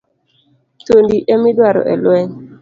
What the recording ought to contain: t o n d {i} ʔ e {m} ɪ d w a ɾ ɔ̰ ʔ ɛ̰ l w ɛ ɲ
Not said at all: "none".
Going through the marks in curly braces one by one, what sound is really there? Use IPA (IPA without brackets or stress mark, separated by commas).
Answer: i, m